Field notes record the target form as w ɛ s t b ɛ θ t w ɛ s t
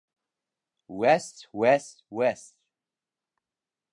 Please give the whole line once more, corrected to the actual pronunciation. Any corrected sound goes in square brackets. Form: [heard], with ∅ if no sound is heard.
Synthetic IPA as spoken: w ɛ s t [w] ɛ [s] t w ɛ s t